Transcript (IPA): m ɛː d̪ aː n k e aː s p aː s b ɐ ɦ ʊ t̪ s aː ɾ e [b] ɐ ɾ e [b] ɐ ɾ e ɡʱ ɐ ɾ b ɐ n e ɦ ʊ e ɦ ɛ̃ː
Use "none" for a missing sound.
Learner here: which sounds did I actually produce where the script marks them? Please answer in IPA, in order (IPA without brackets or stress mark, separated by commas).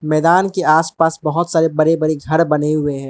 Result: b, b